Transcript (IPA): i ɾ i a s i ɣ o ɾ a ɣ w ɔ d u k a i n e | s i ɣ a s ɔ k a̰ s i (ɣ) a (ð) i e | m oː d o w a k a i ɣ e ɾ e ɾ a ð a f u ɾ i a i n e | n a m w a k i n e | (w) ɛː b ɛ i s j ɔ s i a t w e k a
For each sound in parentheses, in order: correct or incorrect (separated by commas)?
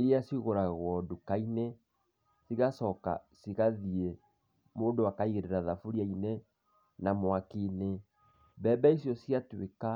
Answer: correct, correct, incorrect